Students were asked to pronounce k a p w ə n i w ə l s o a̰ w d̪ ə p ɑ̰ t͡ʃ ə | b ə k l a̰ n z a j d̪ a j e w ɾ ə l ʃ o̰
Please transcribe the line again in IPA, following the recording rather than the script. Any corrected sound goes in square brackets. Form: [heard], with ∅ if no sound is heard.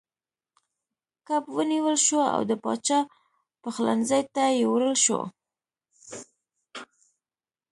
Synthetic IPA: k a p w ə n i w ə l [ʃ] o a̰ w d̪ ə p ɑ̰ t͡ʃ [ɑ] | [p] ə [x] l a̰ n z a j [t̪] a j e w ɾ ə l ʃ o̰